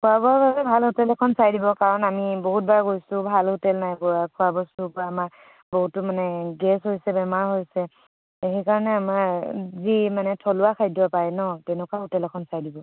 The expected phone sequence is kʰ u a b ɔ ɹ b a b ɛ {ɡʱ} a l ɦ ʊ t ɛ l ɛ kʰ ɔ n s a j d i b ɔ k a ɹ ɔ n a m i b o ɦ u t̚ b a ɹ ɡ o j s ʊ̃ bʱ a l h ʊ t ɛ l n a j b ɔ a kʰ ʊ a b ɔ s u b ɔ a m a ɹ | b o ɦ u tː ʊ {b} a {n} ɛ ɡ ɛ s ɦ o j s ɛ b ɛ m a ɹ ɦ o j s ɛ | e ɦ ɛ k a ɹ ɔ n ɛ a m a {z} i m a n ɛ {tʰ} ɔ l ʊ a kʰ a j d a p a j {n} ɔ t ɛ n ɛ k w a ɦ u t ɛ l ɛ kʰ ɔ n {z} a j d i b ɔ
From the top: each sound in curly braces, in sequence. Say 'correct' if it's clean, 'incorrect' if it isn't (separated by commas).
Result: incorrect, incorrect, correct, correct, correct, correct, incorrect